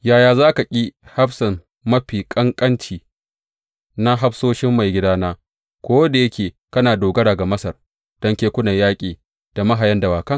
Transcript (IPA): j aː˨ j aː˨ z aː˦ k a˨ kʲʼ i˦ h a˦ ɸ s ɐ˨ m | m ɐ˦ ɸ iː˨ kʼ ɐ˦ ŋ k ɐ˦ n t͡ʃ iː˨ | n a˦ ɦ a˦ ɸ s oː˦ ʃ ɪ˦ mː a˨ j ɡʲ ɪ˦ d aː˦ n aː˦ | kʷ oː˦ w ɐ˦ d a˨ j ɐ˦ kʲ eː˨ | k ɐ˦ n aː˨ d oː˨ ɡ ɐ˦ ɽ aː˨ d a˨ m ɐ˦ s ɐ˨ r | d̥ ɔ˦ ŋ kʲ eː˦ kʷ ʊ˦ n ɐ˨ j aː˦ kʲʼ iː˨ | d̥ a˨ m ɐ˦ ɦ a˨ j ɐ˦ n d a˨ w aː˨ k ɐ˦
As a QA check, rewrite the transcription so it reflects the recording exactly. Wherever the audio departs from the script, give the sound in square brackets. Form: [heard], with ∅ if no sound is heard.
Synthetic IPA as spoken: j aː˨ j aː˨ z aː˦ k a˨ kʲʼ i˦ h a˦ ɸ s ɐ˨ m | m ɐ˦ ɸ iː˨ kʼ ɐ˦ ŋ [kʼ] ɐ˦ n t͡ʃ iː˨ | n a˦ ɦ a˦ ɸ s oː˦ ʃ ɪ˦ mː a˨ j ɡʲ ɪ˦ d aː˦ n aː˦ | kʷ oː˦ w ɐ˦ d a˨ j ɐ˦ kʲ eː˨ | k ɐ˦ n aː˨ d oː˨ ɡ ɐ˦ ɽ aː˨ [ɡ] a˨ m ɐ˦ s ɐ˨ r | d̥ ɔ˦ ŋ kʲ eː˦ kʷ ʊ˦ n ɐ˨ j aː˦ kʲʼ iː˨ | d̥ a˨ m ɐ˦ ɦ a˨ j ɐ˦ n d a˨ w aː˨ k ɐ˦